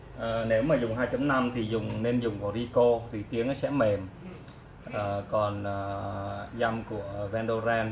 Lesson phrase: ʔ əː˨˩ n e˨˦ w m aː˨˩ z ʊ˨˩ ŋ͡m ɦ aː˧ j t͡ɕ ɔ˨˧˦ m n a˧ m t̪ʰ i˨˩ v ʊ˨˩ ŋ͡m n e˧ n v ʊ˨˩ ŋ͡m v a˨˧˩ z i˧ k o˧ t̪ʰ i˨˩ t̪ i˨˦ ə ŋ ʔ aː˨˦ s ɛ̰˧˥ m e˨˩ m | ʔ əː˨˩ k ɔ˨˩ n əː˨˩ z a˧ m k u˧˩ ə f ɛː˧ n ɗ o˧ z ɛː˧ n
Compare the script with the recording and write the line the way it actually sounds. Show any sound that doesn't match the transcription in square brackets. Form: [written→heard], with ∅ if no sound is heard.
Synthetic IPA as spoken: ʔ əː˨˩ n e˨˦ w m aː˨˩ z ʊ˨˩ ŋ͡m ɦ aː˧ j t͡ɕ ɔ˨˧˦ m n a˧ m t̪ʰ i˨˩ [v→z] ʊ˨˩ ŋ͡m n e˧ n [v→z] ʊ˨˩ ŋ͡m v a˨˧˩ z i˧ k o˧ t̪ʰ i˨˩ t̪ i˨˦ ə ŋ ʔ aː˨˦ s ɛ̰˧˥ m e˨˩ m | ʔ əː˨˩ k ɔ˨˩ n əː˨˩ z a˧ m k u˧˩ ə [f→v] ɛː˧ n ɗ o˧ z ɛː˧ n

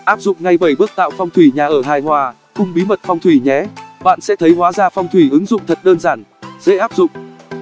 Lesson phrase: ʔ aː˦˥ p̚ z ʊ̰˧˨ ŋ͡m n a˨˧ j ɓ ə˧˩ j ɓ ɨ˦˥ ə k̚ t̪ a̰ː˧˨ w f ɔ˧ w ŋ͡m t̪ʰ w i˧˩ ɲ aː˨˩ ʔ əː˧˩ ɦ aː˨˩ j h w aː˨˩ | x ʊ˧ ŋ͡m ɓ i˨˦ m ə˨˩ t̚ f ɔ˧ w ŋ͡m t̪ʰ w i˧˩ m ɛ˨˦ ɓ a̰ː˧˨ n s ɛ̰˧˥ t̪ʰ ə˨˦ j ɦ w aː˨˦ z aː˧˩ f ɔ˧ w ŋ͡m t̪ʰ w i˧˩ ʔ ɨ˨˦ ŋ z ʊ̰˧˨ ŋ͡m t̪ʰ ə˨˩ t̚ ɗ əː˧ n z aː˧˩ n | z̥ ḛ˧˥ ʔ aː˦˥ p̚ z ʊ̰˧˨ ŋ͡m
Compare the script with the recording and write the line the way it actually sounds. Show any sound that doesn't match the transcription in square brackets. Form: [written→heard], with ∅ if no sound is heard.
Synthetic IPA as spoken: ʔ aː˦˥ p̚ z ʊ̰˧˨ ŋ͡m [n→ŋ] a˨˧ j ɓ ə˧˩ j ɓ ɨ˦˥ ə k̚ t̪ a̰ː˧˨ w f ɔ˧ w ŋ͡m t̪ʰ w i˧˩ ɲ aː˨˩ ʔ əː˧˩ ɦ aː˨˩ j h w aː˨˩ | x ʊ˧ ŋ͡m ɓ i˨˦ m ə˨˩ t̚ f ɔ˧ w ŋ͡m t̪ʰ w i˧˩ [m→ɲ] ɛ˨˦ ɓ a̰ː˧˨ n s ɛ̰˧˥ t̪ʰ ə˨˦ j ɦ w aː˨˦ z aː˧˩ f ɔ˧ w ŋ͡m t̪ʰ w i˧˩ ʔ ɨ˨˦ ŋ z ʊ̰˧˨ ŋ͡m t̪ʰ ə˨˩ t̚ ɗ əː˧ n z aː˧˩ n | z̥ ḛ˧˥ ʔ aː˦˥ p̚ z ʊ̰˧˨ ŋ͡m

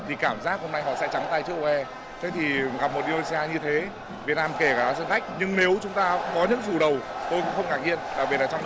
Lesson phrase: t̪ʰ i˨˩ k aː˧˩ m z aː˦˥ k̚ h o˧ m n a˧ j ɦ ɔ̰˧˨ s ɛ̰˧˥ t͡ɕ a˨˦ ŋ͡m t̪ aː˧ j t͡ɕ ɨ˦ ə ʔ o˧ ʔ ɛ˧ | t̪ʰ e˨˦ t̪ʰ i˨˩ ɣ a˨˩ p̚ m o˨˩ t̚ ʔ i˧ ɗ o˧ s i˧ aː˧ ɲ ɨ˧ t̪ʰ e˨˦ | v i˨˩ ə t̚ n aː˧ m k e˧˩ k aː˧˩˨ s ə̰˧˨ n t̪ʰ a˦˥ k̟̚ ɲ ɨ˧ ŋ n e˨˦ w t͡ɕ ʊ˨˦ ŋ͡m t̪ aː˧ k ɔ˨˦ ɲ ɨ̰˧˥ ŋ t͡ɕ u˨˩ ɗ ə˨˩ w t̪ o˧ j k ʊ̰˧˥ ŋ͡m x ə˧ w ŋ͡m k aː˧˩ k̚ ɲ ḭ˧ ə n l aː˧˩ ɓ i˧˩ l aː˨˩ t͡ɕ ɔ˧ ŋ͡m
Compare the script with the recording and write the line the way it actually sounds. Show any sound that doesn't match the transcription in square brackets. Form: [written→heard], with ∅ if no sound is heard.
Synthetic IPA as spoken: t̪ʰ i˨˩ k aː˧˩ m z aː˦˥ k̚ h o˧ m n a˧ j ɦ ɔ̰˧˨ s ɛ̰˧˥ t͡ɕ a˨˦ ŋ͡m t̪ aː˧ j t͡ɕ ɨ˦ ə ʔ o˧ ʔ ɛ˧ | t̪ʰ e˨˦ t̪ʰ i˨˩ ɣ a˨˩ p̚ m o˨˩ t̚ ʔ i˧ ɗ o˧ s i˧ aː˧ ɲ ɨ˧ t̪ʰ e˨˦ | v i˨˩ ə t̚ n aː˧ m k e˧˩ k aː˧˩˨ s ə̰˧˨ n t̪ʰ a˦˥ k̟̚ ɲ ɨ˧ ŋ n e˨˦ w t͡ɕ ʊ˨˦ ŋ͡m t̪ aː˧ k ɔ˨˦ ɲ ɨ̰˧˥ ŋ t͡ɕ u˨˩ ɗ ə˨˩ w t̪ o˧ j k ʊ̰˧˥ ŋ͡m x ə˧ w ŋ͡m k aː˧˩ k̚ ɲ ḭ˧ ə n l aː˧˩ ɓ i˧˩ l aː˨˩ t͡ɕ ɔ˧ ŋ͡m

